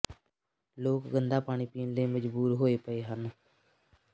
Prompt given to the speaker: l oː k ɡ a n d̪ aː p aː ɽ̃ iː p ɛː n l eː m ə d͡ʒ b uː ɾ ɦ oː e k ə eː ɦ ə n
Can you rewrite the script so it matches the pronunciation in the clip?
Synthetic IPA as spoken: l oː k ɡ ə n d̪ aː p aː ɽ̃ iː p iː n l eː m ə d͡ʒ b uː ɾ ɦ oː e p ə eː ɦ ə n